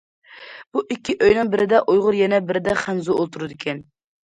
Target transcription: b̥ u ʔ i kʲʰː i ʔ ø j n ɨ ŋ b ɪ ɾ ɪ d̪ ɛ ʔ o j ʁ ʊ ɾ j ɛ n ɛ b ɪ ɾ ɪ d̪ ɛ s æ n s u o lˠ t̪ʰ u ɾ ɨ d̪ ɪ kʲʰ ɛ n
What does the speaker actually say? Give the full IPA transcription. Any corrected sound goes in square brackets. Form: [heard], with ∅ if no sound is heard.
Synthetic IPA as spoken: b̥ u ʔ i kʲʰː i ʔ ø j n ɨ ŋ b ɪ ɾ ɪ d̪ ɛ ʔ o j ʁ ʊ ɾ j ɛ n ɛ b ɪ ɾ ɪ d̪ ɛ [χ] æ n [z] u o lˠ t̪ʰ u ɾ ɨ d̪ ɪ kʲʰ ɛ n

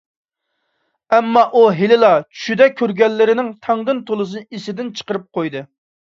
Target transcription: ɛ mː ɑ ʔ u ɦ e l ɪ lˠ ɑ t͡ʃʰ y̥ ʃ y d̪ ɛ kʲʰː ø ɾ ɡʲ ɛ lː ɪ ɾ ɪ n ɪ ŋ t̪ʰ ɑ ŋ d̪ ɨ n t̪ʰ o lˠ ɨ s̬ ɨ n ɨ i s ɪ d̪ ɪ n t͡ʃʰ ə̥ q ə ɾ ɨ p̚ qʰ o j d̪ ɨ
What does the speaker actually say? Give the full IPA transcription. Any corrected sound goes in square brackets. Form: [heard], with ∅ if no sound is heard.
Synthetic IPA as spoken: ɛ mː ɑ ʔ u ɦ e l ɪ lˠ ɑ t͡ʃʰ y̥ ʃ y d̪ ɛ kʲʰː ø ɾ ɡʲ ɛ lː ɪ ɾ ɪ n ɪ ŋ t̪ʰ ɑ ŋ d̪ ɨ n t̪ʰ o lˠ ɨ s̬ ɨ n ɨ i s ɪ d̪ ɪ n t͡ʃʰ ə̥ q ə ɾ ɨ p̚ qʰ o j d̪ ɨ

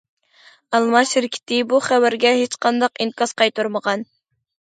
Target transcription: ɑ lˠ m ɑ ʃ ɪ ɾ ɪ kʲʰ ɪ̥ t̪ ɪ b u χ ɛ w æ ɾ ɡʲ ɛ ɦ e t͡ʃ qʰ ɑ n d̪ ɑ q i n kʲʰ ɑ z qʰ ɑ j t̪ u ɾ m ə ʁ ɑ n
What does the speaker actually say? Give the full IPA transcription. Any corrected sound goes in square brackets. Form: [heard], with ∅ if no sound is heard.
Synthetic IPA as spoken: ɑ lˠ m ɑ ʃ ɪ ɾ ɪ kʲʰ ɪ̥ t̪ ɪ b u χ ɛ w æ ɾ ɡʲ ɛ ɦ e t͡ʃ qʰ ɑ n d̪ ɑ q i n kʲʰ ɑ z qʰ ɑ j t̪ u ɾ m ə ʁ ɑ n

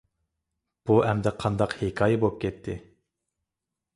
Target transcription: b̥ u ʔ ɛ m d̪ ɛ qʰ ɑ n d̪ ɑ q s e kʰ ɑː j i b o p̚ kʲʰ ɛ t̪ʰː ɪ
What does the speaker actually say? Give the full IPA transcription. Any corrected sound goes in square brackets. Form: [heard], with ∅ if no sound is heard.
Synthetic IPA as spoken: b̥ u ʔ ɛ m d̪ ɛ qʰ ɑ n d̪ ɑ q [h] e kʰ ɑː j [ɛ] b o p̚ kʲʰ ɛ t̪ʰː ɪ

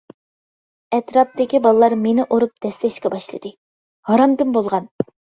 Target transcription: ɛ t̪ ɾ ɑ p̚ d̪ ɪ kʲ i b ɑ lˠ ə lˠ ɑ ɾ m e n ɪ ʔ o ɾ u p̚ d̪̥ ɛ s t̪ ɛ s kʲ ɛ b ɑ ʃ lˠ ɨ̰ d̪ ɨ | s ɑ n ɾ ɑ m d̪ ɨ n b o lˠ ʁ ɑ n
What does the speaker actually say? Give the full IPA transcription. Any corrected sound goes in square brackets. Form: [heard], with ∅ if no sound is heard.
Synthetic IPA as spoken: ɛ t̪ ɾ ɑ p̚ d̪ ɪ kʲ i b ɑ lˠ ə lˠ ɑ ɾ m e n ɪ ʔ o ɾ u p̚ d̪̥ ɛ s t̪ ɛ [ʃ] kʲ ɛ b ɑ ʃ lˠ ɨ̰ d̪ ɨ | [h] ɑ [∅] ɾ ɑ m d̪ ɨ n b o lˠ ʁ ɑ n

